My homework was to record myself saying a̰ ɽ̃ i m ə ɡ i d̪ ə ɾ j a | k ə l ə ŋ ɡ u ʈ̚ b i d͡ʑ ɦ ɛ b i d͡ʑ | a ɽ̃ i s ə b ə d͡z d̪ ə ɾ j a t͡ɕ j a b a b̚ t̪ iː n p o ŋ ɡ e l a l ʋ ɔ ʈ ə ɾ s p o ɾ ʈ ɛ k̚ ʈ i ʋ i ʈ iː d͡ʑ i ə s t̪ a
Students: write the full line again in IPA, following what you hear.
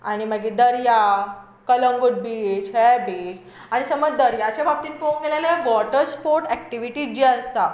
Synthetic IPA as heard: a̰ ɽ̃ i m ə ɡ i d̪ ə ɾ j a | k ə l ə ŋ ɡ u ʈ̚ b i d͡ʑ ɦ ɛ b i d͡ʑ | a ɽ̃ i s ə m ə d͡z d̪ ə ɾ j a t͡ɕ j a b a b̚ t̪ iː n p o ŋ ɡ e l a l ʋ ɔ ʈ ə ɾ s p o ɾ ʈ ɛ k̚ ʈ i ʋ i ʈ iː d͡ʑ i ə s t̪ a